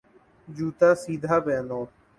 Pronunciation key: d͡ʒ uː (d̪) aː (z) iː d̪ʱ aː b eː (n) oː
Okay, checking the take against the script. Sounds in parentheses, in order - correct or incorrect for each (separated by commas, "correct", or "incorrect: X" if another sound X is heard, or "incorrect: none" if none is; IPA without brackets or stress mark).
incorrect: t̪, incorrect: s, correct